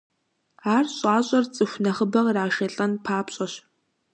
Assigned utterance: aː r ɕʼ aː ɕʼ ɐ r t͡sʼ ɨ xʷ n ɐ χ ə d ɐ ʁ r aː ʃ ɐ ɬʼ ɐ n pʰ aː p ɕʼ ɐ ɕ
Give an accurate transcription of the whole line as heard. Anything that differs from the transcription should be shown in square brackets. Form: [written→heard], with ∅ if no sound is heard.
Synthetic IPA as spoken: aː r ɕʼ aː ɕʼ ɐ r t͡sʼ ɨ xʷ n ɐ χ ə [d→b] ɐ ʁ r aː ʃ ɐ ɬʼ ɐ n pʰ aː p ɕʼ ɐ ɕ